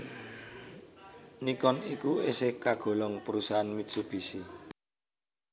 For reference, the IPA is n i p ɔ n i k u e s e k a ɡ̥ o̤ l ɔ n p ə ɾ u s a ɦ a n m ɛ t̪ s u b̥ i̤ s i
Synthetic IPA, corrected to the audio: n i k ɔ n i k u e s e k a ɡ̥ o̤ l ɔ ŋ p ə ɾ u s a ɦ a n m i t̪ s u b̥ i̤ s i